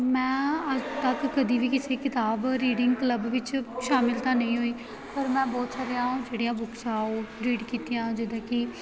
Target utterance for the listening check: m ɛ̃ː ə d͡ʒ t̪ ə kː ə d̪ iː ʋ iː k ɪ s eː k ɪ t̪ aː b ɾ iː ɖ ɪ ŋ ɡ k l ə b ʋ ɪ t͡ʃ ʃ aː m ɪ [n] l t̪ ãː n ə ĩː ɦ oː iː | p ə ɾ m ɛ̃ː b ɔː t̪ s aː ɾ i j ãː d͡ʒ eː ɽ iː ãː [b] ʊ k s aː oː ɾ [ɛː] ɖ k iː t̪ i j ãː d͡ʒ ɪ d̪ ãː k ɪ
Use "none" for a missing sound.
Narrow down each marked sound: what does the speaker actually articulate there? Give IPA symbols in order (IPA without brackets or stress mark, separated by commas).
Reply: none, b, iː